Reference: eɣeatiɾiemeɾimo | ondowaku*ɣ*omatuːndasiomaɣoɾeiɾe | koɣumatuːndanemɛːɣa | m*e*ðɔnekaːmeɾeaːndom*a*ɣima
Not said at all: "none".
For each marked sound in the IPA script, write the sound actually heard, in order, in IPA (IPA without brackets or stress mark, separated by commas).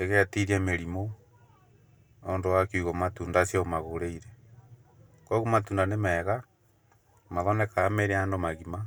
ɣ, a, a